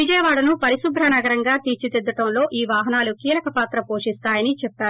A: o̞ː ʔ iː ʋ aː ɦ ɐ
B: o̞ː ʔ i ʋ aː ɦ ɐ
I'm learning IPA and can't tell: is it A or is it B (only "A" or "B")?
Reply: A